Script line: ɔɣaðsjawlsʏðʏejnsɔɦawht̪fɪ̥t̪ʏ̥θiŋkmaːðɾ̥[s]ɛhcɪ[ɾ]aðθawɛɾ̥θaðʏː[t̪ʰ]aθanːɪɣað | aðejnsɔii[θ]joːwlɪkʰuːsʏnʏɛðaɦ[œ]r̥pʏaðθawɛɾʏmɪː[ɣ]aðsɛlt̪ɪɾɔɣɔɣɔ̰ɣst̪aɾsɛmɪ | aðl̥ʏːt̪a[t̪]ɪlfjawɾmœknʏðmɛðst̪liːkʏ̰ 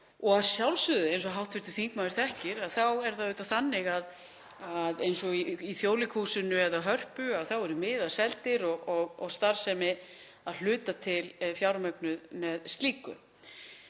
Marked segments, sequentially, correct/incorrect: incorrect, correct, incorrect, correct, correct, incorrect, incorrect

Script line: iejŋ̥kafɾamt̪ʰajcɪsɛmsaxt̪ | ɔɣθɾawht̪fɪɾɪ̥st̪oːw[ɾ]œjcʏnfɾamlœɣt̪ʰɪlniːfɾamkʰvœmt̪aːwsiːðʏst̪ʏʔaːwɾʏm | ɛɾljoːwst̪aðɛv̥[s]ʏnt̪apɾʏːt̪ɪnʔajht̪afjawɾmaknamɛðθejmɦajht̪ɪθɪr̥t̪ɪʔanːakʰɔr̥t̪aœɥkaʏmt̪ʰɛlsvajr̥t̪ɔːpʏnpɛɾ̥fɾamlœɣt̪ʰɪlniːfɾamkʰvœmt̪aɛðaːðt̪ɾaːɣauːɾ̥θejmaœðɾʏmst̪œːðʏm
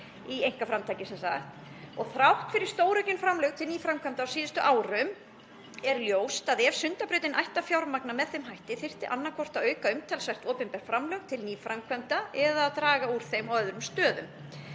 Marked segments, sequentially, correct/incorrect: correct, correct

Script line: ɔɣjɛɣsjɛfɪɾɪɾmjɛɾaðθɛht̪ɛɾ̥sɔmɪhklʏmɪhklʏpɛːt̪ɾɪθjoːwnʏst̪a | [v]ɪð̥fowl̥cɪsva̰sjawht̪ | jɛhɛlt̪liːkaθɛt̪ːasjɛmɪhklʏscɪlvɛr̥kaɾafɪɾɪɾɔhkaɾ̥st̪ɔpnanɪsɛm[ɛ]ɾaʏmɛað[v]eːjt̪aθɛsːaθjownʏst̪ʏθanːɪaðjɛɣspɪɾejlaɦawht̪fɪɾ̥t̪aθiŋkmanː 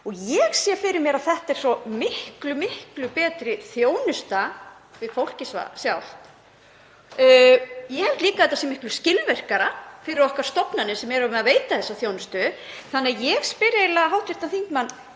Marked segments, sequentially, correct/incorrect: correct, correct, correct

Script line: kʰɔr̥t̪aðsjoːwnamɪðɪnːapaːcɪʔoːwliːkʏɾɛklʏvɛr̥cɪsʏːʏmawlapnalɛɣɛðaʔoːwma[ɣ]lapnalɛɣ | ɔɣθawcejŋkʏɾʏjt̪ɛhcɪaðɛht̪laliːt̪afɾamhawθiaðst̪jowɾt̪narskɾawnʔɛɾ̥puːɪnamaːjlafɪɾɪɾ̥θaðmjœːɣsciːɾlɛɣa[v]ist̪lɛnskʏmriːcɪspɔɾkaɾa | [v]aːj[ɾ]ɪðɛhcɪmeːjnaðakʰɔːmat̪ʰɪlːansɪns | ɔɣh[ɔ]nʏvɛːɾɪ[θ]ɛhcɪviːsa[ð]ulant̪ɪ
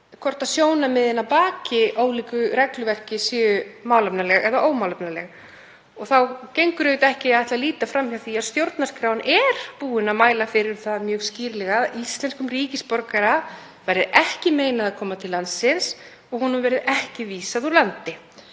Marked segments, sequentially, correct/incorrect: incorrect, incorrect, correct, correct, incorrect, incorrect, correct

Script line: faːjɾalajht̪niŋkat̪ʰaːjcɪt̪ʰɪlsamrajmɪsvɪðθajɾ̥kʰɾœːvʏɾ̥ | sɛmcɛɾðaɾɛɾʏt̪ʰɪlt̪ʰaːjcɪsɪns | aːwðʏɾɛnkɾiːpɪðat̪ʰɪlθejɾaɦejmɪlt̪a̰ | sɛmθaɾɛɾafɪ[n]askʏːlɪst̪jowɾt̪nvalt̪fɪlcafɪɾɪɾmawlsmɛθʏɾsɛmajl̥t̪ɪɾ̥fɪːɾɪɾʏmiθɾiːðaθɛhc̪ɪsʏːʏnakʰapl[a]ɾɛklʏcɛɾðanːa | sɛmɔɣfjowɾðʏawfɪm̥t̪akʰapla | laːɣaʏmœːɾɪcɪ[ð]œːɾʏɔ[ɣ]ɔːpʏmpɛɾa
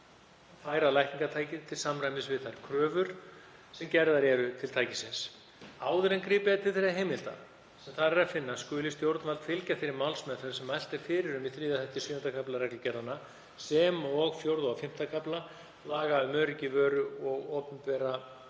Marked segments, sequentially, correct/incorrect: incorrect, correct, incorrect, correct

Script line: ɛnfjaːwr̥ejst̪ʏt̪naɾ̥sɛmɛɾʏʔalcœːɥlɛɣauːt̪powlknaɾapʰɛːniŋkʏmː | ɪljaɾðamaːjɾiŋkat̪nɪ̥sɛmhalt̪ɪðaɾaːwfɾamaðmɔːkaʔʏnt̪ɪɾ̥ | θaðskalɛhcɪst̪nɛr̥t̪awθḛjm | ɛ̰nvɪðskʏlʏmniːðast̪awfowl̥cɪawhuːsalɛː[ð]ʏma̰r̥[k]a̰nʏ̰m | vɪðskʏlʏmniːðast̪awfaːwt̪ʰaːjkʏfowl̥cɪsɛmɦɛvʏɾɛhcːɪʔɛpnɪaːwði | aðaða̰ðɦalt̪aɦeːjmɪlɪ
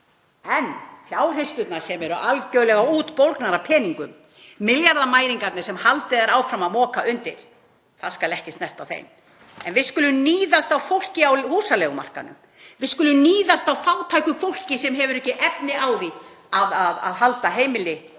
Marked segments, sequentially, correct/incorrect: incorrect, correct

